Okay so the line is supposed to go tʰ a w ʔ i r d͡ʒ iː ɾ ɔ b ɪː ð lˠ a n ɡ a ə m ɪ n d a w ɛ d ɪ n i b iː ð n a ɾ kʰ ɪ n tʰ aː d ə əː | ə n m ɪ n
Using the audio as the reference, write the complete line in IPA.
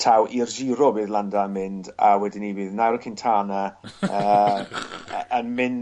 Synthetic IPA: tʰ a w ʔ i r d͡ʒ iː ɾ ɔ b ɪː ð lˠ a n d a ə m ɪ n d a w ɛ d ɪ n i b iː ð n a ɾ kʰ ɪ n tʰ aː n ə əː | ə n m ɪ n